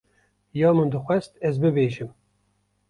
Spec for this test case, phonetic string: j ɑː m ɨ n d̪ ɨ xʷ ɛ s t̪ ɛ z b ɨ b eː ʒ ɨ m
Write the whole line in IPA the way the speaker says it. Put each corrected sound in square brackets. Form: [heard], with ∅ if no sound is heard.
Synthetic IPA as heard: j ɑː m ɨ n d̪ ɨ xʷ ɛ s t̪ ɛ z b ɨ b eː ʒ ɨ m